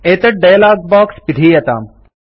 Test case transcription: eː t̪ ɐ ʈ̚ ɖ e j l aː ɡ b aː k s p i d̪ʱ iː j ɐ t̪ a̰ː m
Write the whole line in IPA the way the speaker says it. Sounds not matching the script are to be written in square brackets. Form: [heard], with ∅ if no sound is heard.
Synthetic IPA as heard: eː t̪ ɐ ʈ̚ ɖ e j l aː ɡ b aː k s p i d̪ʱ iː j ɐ t̪ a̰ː m